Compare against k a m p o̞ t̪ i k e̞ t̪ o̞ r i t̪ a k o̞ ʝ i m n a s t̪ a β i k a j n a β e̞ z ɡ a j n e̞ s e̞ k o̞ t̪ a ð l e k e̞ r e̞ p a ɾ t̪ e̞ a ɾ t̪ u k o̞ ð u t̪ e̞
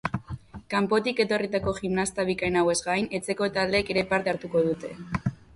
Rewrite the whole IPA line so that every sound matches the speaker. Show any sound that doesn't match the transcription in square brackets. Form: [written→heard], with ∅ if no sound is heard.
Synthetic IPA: k a m p o̞ t̪ i k e̞ t̪ o̞ r i t̪ a k o̞ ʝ i m n a s t̪ a β i k a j n a [β→w] e̞ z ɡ a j n e̞ [s→t͡s] e̞ k o̞ t̪ a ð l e k e̞ [r→ɾ] e̞ p a ɾ t̪ e̞ a ɾ t̪ u k o̞ ð u t̪ e̞

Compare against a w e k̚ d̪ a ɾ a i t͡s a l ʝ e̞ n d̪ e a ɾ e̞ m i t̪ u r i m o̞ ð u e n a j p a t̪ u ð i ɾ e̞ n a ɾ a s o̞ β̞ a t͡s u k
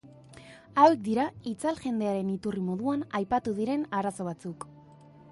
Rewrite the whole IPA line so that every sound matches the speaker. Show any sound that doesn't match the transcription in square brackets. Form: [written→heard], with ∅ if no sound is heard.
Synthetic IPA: a w e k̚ d̪ [a→i] ɾ a i t͡s a l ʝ e̞ n d̪ e a ɾ e̞ [m→n] i t̪ u r i m o̞ ð u [e→a] n a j p a t̪ u ð i ɾ e̞ n a ɾ a s o̞ β̞ a t͡s u k

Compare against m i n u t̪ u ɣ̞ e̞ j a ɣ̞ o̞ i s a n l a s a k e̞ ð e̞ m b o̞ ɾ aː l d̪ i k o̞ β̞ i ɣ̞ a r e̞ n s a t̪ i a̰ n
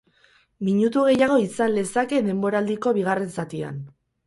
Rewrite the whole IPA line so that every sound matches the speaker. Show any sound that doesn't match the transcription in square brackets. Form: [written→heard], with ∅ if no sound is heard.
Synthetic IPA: m i [n→ɲ] u t̪ u ɣ̞ e̞ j a ɣ̞ o̞ i s a n l [a→e] s a k e̞ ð e̞ m b o̞ ɾ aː l d̪ i k o̞ β̞ i ɣ̞ a r e̞ n s a t̪ i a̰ n

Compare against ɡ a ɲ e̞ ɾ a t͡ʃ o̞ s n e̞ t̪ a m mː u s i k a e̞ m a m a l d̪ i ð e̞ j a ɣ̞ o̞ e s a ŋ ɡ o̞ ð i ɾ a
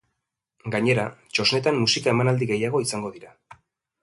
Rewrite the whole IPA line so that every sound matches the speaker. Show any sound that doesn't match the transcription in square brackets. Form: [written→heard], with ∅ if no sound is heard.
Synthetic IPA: ɡ a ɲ e̞ ɾ a t͡ʃ o̞ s n e̞ t̪ a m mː u s i k a e̞ m a [m→n] a l d̪ i [ð→ɣ] e̞ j a ɣ̞ o̞ [e→i] s a ŋ ɡ o̞ ð i ɾ a

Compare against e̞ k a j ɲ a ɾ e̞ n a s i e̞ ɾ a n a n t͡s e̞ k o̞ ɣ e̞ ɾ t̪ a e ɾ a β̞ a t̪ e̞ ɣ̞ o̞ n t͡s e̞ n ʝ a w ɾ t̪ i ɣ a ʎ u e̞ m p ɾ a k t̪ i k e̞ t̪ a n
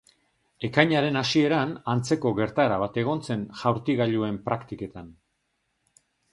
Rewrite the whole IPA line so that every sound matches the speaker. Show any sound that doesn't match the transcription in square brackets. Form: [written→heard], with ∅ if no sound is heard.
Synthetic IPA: e̞ k a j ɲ a ɾ e̞ n a s i e̞ ɾ a n a n t͡s e̞ k o̞ ɣ e̞ ɾ t̪ a e ɾ a β̞ a t̪ e̞ ɣ̞ o̞ n t͡s e̞ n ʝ a w ɾ t̪ i ɣ a ʎ u e̞ m p ɾ a k t̪ i k e̞ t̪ a n

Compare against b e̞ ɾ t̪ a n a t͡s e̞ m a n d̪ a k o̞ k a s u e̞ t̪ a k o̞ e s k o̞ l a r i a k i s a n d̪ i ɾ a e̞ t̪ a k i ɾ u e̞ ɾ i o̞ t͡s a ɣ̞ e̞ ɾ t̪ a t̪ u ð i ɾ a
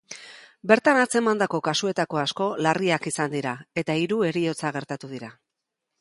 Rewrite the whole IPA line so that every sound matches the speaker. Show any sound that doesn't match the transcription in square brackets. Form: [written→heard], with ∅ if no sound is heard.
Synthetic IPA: b e̞ ɾ t̪ a n a t͡s e̞ m a n d̪ a k o̞ k a s u e̞ t̪ a k o̞ [e→a] s k o̞ l a r i a k i s a n d̪ i ɾ a e̞ t̪ a [k→∅] i ɾ u e̞ ɾ i o̞ t͡s a ɣ̞ e̞ ɾ t̪ a t̪ u ð i ɾ a

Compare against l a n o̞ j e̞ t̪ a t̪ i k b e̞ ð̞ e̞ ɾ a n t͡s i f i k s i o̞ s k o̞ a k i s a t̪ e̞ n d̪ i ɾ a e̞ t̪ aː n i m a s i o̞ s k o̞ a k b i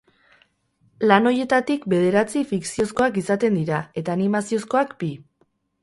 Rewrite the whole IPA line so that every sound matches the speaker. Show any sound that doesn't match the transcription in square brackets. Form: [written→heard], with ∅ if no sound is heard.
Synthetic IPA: l a n o̞ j e̞ t̪ a t̪ i k b e̞ ð̞ e̞ ɾ a [n→∅] t͡s i f i k s i o̞ s k o̞ a k i s a t̪ e̞ n d̪ i ɾ a e̞ t̪ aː n i m a s i o̞ s k o̞ a k b i

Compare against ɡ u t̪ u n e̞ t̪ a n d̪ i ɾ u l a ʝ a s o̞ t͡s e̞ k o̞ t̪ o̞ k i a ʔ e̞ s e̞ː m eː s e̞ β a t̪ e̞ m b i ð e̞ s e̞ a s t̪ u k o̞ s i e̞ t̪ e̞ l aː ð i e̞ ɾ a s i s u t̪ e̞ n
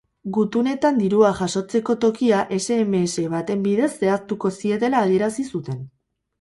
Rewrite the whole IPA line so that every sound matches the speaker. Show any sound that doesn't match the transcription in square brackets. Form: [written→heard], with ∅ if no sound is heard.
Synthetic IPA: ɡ u t̪ u n e̞ t̪ a n d̪ i ɾ u [l→∅] a ʝ a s o̞ t͡s e̞ k o̞ t̪ o̞ k i a ʔ e̞ s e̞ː m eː s e̞ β a t̪ e̞ m b i ð e̞ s e̞ a s t̪ u k o̞ s i e̞ t̪ e̞ l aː ð i e̞ ɾ a s i s u t̪ e̞ n

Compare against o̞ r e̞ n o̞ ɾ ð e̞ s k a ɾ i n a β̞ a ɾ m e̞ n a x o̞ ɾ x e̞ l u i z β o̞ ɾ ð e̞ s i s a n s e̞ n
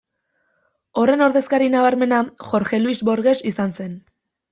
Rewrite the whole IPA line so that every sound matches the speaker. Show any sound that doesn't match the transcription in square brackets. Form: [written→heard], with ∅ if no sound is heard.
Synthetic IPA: o̞ r e̞ n o̞ ɾ ð e̞ s k a ɾ i n a β̞ a ɾ m e̞ n a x o̞ ɾ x e̞ l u i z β o̞ ɾ [ð→ɣ] e̞ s i s a n s e̞ n

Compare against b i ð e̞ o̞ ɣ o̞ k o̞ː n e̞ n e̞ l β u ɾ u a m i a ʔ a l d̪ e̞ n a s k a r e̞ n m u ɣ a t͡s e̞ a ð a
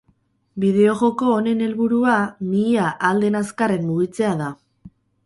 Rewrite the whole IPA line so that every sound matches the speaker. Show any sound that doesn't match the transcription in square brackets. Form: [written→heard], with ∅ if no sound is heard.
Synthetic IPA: b i ð e̞ o̞ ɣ o̞ k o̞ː n e̞ n e̞ l β u ɾ u a m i a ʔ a l d̪ e̞ n a s k a r e̞ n m u ɣ [a→i] t͡s e̞ a ð a

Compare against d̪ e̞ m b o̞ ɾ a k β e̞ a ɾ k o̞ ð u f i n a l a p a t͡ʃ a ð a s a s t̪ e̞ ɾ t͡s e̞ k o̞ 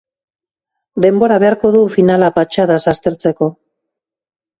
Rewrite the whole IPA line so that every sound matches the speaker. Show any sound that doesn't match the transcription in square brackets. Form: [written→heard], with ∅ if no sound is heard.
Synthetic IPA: d̪ e̞ m b o̞ ɾ a [k→∅] β e̞ a ɾ k o̞ ð u f i n a l a p a t͡ʃ a ð a s a s t̪ e̞ ɾ t͡s e̞ k o̞

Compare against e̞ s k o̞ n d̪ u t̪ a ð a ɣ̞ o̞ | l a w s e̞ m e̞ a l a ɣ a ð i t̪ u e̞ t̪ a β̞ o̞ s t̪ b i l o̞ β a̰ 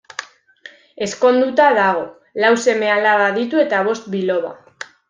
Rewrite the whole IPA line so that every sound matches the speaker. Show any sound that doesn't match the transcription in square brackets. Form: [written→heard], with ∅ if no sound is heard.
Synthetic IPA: e̞ s k o̞ n d̪ u t̪ a ð a ɣ̞ o̞ | l a w s e̞ m e̞ a l a ɣ a ð i t̪ u e̞ t̪ a β̞ o̞ s t̪ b i l o̞ β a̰

